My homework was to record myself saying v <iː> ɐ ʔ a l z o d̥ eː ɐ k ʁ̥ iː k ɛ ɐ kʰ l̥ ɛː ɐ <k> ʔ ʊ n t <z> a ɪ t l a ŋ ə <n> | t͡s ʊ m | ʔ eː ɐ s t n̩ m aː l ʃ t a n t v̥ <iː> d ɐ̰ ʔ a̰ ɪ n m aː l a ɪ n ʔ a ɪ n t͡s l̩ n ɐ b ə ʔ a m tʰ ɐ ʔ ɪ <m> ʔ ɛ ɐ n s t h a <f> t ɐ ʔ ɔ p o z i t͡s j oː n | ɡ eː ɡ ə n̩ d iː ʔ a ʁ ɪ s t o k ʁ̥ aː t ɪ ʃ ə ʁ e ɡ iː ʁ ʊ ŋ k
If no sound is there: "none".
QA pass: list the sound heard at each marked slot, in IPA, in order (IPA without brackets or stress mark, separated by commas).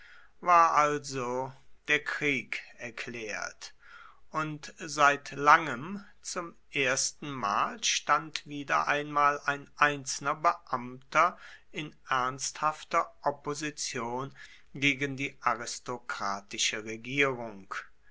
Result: aː, t, z, m, iː, n, f